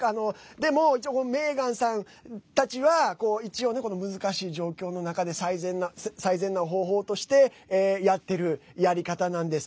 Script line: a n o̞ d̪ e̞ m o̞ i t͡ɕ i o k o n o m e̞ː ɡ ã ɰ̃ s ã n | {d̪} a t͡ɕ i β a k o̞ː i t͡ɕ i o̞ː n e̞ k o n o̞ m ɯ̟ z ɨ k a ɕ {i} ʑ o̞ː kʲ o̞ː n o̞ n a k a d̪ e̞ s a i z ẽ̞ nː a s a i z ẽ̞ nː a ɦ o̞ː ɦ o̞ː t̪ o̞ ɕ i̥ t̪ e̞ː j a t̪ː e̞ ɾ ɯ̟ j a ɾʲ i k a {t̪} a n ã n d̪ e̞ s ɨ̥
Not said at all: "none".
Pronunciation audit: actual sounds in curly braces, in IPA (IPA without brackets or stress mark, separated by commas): t̪, iː, t̪